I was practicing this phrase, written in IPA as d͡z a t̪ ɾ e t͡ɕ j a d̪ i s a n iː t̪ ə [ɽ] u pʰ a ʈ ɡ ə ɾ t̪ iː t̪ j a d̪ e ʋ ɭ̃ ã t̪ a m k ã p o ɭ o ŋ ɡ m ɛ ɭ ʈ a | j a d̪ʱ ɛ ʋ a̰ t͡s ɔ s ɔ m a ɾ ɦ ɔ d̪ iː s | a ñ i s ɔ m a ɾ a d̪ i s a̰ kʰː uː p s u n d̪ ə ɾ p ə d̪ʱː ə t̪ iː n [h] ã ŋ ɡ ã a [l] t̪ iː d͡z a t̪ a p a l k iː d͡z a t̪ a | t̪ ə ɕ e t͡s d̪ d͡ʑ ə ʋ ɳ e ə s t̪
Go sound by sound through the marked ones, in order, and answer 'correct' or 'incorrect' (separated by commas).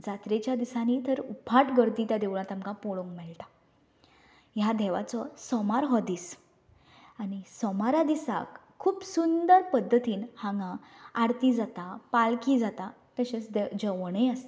incorrect, correct, incorrect